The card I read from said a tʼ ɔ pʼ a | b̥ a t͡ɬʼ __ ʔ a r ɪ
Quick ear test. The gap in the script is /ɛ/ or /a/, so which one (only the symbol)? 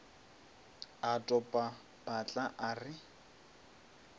a